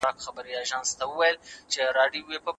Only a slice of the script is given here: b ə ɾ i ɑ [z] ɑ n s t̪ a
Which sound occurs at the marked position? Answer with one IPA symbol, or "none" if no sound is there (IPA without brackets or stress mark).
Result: ʒ